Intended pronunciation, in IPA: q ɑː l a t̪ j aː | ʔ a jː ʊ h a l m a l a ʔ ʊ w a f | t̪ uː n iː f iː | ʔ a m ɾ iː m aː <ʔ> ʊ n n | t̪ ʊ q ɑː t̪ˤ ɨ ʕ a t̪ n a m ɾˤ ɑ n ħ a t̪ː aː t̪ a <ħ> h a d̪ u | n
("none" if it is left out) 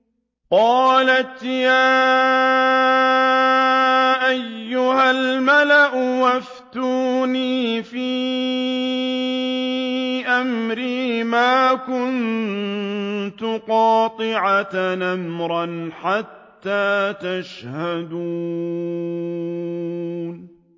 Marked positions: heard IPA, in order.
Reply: k, ʃ

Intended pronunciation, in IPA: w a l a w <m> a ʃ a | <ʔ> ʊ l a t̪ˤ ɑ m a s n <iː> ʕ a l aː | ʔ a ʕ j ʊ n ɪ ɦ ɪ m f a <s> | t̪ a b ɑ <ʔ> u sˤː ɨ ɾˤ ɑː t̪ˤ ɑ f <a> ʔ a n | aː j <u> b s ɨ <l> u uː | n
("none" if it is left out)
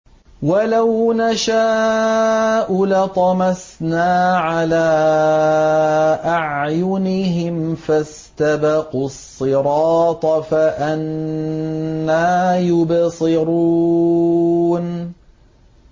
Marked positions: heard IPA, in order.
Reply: n, ʔ, aː, s, q, a, ʊ, ɾ

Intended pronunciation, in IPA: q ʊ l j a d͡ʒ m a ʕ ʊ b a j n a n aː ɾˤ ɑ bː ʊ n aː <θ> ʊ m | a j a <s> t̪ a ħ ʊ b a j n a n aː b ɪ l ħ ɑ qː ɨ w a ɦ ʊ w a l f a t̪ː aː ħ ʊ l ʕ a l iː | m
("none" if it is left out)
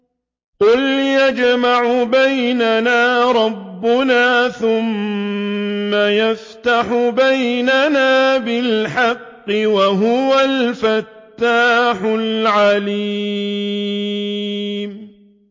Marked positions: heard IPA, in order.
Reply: θ, f

